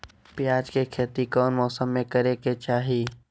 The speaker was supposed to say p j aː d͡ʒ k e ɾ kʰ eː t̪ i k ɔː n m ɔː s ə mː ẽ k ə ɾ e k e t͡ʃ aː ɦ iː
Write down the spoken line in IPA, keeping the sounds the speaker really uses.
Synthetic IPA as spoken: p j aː d͡ʒ k e kʰ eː t̪ i k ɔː n m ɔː s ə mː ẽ k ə ɾ e k e t͡ʃ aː ɦ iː

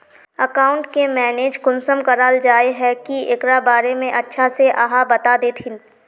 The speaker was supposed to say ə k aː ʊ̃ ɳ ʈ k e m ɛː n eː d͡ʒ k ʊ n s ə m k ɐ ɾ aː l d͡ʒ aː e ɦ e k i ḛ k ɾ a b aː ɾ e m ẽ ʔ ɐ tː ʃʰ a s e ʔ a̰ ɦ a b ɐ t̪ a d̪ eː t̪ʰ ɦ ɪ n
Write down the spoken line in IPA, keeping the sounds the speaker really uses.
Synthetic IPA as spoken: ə k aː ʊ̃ ɳ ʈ k e m ɛː n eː d͡ʒ k ʊ n s ə m k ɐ ɾ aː l d͡ʒ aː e ɦ ɛ k i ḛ k ɾ a b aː ɾ e m ẽ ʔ ɐ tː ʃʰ a s e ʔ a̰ ɦ a b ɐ t̪ a d̪ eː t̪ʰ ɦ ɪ n

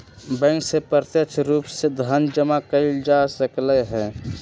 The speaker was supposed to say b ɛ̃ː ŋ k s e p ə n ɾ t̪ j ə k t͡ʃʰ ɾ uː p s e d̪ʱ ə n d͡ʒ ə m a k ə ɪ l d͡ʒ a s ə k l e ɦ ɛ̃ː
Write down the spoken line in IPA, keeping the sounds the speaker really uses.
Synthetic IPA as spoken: b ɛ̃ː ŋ k s e p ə ɾ t̪ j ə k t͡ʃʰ ɾ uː p s e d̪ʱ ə n d͡ʒ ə m a k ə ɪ l d͡ʒ a s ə k l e ɦ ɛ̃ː

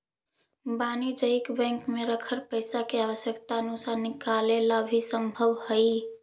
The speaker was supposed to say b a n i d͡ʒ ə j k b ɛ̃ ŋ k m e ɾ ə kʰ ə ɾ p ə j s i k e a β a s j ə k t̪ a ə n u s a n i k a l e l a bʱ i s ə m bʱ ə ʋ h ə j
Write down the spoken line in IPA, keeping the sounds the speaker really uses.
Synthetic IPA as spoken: b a n i d͡ʒ ə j k b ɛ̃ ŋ k m e ɾ ə kʰ ə ɾ p ə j s a k e a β ə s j ə k t̪ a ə n u s a n i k a l e l a bʱ i s ə m bʱ ə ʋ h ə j

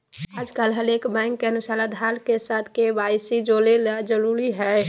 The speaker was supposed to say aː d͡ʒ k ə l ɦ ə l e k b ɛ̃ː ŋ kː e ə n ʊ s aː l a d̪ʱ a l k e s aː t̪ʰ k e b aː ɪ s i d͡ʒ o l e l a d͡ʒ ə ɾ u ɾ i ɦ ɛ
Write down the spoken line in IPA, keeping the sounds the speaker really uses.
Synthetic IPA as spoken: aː d͡ʒ k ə l ɦ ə l e k b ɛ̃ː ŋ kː e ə n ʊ s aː l a d̪ʱ a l k e s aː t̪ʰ k e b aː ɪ s i d͡ʒ o l e l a d͡ʒ ə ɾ u ɾ i ɦ ɛ

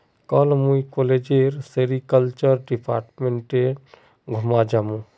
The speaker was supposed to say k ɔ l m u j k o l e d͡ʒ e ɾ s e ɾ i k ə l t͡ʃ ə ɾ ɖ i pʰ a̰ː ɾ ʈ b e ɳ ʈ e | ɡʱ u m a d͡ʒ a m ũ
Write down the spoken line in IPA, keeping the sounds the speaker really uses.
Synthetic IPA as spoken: k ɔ l m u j k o l e d͡ʒ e ɾ s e ɾ i k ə l t͡ʃ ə ɾ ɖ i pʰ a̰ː ɾ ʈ m e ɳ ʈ e | ɡʱ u m a d͡ʒ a m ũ

